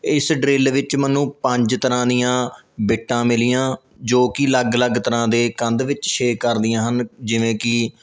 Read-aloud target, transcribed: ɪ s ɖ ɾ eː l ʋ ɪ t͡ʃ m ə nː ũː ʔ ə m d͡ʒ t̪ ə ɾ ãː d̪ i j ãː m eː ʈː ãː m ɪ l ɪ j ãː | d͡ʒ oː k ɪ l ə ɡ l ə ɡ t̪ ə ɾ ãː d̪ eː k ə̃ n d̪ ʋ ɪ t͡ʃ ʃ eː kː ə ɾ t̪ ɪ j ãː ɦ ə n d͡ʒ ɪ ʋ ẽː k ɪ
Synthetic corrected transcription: ɪ s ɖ ɾ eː l ʋ ɪ t͡ʃ m ə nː ũː p ə ɲ d͡ʒ t̪ ə ɾ ãː d̪ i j ãː b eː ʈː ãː m ɪ l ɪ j ãː | d͡ʒ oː k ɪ l ə ɡ l ə ɡ t̪ ə ɾ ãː d̪ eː k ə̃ n d̪ ʋ ɪ t͡ʃ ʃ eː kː ə ɾ d̪ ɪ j ãː ɦ ə n d͡ʒ ɪ ʋ ẽː k ɪ